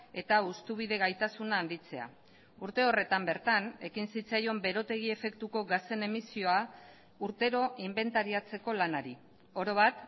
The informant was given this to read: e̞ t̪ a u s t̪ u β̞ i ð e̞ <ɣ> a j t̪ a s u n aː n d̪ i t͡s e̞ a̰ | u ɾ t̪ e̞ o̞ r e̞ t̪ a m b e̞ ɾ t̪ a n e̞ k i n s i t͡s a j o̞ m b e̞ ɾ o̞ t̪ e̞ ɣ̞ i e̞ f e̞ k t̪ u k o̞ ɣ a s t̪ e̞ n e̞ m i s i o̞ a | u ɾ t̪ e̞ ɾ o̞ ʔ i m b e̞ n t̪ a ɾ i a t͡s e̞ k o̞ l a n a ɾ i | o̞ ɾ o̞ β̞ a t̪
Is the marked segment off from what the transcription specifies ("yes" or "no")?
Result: no